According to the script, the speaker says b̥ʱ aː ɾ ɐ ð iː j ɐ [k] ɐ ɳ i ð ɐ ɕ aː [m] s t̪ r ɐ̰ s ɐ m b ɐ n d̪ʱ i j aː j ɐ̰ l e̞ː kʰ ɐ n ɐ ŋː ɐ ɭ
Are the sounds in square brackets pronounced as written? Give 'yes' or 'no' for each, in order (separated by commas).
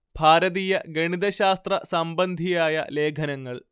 no, no